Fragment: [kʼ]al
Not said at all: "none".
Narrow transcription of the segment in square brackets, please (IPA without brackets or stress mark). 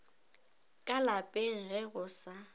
kʼ